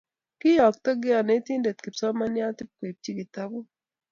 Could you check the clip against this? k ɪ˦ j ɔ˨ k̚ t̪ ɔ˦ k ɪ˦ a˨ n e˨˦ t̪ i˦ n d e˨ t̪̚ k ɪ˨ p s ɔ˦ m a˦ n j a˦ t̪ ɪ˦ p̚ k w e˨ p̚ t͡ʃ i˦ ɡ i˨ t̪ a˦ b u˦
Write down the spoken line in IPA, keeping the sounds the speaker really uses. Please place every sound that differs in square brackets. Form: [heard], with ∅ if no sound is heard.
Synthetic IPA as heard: k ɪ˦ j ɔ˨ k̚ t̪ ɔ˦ [ɡ] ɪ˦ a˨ n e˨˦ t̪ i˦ n d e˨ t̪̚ k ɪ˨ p s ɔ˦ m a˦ n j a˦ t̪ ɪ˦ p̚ k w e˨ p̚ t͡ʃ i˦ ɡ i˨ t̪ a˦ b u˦